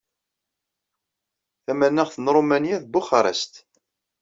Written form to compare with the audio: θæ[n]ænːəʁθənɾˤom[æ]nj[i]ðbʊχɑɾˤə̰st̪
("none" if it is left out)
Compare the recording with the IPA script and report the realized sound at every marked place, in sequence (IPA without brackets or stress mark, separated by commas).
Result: m, æ, æ